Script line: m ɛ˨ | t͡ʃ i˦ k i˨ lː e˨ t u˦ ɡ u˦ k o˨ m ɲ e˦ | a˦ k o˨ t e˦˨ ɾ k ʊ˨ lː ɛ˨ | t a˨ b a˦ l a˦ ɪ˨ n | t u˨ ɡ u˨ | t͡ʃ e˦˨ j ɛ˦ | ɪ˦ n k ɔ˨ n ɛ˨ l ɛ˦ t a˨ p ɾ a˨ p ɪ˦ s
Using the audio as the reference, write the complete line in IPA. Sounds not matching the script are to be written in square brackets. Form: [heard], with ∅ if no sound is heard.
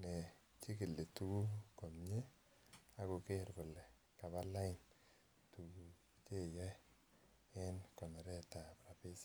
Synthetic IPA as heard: [n] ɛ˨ | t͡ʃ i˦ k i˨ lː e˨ t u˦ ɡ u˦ k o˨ m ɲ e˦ | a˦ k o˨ [k] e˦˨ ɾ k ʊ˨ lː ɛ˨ | [k] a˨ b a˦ l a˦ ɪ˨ n | t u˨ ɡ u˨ | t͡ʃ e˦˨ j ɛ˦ | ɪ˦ n k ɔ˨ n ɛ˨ [ɾ] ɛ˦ t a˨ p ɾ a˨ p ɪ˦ s